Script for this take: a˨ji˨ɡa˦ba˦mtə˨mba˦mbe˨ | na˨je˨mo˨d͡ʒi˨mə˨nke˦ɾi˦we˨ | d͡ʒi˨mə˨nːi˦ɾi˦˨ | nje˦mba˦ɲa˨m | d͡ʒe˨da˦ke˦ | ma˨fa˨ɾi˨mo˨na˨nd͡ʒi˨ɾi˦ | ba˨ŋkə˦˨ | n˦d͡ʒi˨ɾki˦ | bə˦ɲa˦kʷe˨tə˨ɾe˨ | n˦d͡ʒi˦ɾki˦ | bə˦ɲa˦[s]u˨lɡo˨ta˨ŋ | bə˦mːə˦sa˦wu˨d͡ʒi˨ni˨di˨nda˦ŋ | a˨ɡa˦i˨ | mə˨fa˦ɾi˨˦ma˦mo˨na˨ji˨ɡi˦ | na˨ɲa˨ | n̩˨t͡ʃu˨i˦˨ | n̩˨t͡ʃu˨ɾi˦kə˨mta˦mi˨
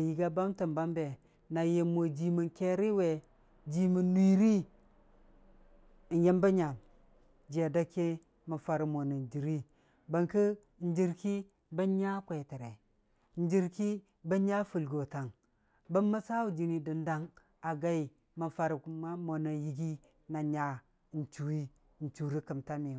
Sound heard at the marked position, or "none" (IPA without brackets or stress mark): f